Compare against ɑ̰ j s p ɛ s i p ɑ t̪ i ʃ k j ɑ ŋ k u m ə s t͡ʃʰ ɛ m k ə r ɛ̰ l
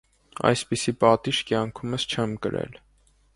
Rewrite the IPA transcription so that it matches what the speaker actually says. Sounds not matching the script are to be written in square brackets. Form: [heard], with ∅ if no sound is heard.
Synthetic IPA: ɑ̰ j s p [i] s i p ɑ t̪ i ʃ k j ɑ ŋ [kʰ] u m ə s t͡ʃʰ ɛ m k ə [ɾ] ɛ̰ l